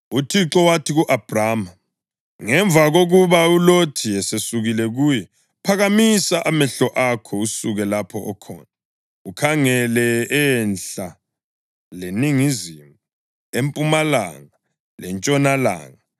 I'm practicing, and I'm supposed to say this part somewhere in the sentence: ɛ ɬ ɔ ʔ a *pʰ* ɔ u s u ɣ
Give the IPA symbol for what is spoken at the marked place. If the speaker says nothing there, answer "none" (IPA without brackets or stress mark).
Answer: kʰ